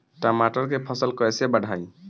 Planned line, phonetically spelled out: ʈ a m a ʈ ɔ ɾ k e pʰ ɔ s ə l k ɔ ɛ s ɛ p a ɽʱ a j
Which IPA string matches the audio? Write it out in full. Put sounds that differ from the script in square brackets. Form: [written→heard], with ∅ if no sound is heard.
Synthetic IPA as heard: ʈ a m a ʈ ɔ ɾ k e pʰ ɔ s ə l k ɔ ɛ s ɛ [p→b] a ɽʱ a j